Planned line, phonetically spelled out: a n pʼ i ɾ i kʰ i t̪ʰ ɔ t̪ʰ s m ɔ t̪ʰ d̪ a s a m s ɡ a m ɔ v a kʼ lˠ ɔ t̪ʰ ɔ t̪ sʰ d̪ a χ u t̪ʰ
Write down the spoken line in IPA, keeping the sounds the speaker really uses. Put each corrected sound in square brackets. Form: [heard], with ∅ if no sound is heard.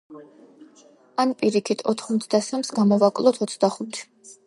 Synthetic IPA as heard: a n pʼ i ɾ i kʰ i t̪ʰ ɔ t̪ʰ [χ] m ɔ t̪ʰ d̪ a s a m s ɡ a m ɔ v a kʼ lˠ ɔ t̪ʰ ɔ t̪ sʰ d̪ a χ u t̪ʰ